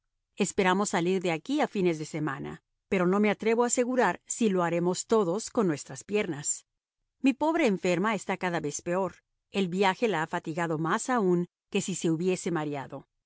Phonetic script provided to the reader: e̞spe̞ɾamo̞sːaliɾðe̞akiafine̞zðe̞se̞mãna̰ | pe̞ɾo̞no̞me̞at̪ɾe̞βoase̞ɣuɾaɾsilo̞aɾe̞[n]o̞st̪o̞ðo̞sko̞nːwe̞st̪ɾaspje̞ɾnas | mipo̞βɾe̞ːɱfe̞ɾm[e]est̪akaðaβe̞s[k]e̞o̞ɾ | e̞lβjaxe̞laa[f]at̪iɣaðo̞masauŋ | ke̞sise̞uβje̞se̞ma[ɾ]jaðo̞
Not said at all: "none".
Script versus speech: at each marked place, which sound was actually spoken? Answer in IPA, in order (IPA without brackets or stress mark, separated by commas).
m, a, p, f, ɾ